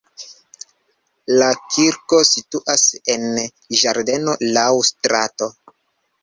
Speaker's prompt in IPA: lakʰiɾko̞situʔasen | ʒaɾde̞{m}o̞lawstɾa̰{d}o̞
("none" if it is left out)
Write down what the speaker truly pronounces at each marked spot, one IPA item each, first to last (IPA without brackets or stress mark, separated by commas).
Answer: n, t